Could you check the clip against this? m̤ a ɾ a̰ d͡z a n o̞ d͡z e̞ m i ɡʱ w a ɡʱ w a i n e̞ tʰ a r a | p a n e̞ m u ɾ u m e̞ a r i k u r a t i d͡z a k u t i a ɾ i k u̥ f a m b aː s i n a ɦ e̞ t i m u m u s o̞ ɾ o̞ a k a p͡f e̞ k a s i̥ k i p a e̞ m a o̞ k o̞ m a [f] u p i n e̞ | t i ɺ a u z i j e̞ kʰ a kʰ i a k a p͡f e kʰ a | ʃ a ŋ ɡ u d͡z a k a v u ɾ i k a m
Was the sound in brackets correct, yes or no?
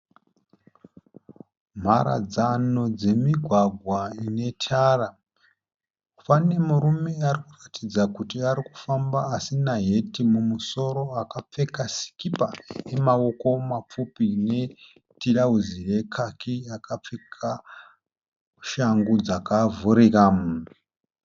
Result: no